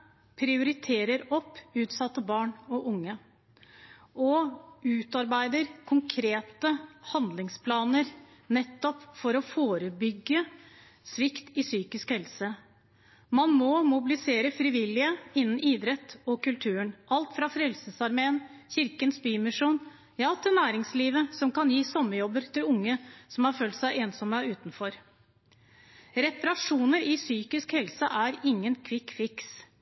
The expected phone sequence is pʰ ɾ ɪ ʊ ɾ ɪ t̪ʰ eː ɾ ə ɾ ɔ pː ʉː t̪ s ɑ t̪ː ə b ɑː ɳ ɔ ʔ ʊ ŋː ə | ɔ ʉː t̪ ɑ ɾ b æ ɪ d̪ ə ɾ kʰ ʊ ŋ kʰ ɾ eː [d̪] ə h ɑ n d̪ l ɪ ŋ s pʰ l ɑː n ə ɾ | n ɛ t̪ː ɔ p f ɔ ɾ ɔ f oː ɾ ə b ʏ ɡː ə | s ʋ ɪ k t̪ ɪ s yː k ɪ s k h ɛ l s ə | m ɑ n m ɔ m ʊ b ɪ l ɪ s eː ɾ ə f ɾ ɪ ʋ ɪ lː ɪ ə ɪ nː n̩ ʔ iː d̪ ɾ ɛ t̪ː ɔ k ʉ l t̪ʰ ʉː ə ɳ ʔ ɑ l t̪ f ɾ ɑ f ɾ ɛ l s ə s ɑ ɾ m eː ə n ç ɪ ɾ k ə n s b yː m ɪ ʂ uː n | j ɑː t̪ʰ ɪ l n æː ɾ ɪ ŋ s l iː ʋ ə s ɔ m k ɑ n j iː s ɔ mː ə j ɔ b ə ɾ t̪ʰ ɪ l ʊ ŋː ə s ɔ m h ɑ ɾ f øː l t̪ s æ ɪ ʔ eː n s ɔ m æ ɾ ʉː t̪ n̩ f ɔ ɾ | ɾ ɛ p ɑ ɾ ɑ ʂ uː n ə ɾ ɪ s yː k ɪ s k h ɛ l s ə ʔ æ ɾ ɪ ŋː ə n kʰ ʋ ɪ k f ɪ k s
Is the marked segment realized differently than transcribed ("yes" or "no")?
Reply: yes